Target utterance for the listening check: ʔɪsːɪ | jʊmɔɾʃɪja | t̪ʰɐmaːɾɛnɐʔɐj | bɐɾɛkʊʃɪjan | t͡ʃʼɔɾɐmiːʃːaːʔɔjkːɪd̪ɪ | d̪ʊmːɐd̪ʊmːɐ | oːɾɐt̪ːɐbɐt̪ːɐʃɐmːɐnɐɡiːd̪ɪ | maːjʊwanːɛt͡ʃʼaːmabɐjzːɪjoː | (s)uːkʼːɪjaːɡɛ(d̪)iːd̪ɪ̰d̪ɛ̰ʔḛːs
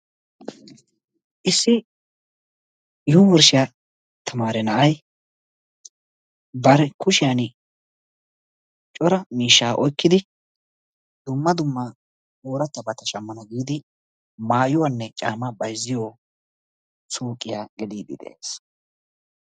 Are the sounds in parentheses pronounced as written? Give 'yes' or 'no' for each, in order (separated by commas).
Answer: yes, yes